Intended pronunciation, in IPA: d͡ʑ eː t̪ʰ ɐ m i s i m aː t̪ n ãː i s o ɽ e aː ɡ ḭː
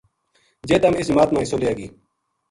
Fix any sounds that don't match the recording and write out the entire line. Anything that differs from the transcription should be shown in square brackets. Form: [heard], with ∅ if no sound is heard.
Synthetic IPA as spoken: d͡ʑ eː [t̪] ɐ m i s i m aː t̪ [m] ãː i s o [l] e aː ɡ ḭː